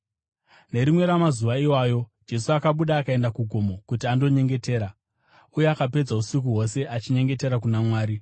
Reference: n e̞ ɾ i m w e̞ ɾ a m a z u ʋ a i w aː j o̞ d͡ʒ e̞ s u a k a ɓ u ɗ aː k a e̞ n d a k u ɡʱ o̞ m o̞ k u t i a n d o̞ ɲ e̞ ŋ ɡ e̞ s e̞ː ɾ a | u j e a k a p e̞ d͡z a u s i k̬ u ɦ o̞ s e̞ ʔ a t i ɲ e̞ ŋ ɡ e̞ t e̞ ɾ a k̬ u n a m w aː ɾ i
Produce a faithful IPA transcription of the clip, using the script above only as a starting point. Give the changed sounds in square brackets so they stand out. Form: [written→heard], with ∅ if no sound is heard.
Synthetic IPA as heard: n e̞ ɾ i m w e̞ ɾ a m a z u ʋ a i w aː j o̞ d͡ʒ e̞ s u a k a ɓ u ɗ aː k a e̞ n d a k u ɡʱ o̞ m o̞ k u t i a n d o̞ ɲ e̞ ŋ ɡ e̞ [s→t] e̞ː ɾ a | u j e a k a p e̞ d͡z a u s i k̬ u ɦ o̞ s e̞ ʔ a [t→t͡ʃ] i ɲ e̞ ŋ ɡ e̞ t e̞ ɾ a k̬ u n a m w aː ɾ i